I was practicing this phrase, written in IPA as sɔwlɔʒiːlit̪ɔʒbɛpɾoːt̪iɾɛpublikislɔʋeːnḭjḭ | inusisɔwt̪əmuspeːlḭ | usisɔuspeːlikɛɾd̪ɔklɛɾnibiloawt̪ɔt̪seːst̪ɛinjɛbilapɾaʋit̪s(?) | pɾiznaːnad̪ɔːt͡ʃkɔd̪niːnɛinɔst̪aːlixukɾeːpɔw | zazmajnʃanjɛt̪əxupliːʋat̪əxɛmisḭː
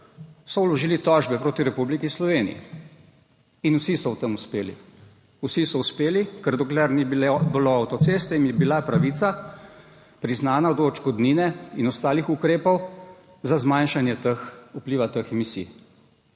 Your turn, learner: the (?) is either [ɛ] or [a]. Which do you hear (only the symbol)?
a